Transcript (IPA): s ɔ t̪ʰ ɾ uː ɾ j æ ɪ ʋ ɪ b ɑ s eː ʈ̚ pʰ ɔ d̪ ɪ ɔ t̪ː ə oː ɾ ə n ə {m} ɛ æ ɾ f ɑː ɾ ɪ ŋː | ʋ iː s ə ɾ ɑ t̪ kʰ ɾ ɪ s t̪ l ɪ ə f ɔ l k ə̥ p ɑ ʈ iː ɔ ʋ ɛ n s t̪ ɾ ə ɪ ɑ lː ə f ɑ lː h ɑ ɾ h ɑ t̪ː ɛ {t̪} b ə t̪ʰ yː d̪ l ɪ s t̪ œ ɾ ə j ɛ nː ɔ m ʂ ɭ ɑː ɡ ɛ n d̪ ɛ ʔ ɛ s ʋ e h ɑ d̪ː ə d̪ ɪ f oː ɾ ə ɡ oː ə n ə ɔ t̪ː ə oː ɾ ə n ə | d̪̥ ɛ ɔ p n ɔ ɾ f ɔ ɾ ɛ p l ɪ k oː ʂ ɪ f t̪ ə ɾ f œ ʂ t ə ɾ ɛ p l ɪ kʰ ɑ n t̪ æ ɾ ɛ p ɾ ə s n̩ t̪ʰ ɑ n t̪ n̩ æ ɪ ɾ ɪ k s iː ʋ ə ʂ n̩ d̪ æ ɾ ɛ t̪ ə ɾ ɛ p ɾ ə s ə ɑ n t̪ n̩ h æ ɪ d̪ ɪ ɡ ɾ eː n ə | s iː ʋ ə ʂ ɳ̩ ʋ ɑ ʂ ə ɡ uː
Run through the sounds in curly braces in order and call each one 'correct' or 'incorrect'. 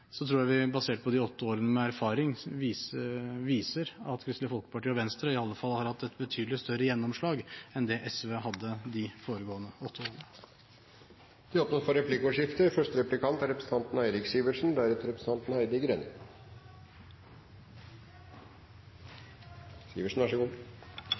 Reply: correct, correct

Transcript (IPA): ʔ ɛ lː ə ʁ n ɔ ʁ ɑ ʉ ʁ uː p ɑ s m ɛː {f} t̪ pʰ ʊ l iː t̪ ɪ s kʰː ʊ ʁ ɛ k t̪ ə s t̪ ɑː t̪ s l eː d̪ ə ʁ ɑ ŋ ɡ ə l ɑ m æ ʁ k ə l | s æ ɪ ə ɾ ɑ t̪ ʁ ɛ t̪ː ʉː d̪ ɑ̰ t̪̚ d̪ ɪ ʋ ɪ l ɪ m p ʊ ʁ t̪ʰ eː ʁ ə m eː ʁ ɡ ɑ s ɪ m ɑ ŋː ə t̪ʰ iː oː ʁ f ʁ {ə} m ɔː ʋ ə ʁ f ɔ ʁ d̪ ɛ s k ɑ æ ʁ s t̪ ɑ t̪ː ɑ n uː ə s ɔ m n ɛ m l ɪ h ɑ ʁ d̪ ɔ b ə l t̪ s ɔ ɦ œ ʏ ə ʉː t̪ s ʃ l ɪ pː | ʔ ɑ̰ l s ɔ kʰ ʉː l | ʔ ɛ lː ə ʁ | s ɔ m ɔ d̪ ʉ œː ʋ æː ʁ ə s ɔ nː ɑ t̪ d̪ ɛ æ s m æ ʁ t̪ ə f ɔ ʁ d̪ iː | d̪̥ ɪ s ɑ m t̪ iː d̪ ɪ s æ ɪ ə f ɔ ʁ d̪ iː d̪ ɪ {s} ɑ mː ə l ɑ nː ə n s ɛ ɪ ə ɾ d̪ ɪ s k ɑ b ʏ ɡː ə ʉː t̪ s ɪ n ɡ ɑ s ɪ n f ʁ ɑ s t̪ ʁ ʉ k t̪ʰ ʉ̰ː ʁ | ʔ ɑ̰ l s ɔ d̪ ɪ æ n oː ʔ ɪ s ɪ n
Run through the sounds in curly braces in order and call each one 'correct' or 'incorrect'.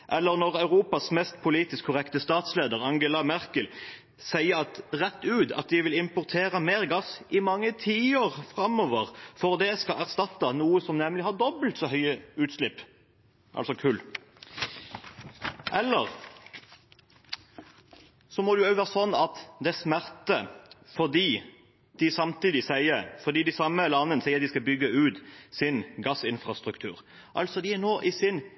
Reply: incorrect: s, incorrect: ɑ, correct

